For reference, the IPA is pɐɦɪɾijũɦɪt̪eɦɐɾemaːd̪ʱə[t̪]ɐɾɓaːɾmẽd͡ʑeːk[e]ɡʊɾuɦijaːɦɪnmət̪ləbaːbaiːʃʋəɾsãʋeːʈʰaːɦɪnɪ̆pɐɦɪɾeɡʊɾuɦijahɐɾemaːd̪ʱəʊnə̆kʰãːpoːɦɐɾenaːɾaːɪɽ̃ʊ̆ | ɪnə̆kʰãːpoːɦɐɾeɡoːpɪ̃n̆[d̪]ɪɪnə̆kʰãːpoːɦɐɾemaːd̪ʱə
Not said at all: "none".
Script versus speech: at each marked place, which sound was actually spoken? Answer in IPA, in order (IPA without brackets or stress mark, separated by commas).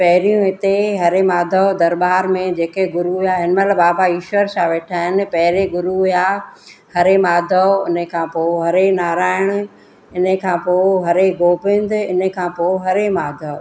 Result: d̪, e, d̪